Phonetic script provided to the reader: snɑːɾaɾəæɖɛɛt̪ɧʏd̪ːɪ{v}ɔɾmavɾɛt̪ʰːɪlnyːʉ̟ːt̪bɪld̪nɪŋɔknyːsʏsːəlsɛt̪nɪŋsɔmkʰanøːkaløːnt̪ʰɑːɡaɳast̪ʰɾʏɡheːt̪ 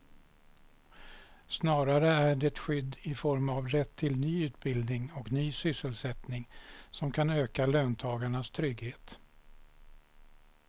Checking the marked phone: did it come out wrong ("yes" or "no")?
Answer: yes